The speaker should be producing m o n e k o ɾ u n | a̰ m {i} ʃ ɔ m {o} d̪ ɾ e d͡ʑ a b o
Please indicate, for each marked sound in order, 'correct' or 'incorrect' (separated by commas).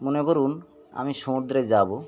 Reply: correct, incorrect